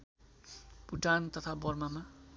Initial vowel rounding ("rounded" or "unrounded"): rounded